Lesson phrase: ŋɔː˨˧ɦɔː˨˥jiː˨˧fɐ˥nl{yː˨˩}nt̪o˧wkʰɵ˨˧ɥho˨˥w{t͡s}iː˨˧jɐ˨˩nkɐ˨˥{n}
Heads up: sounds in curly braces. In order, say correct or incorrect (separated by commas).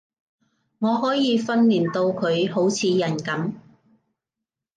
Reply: incorrect, incorrect, incorrect